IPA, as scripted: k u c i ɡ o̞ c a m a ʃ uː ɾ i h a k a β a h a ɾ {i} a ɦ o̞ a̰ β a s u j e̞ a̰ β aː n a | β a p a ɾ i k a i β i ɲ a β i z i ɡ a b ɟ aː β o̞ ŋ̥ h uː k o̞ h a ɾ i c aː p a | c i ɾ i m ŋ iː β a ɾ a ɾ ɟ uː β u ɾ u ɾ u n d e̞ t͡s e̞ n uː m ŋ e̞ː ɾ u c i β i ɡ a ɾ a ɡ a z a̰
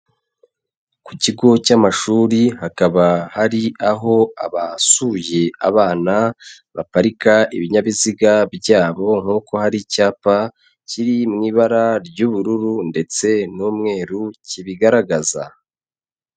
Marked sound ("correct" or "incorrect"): correct